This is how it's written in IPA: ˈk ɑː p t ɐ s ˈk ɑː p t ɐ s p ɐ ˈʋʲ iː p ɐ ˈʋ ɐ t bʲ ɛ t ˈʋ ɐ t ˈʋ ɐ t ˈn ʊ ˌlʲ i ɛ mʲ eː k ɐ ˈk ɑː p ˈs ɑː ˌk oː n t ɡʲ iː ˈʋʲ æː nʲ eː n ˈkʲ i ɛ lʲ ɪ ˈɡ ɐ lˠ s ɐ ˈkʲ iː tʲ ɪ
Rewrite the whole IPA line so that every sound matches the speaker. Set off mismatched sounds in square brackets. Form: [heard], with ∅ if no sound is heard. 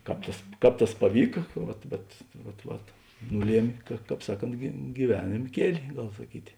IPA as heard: ˈk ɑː p t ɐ s ˈk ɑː p t ɐ s p ɐ ˈʋʲ iː [k] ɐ ˈʋ ɐ t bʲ ɛ t ˈʋ ɐ t ˈʋ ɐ t ˈn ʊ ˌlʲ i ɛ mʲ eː k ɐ ˈk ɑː p ˈs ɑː ˌk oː n t ɡʲ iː ˈʋʲ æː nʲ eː [m] ˈkʲ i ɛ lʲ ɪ ˈɡ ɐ lˠ s ɐ ˈkʲ iː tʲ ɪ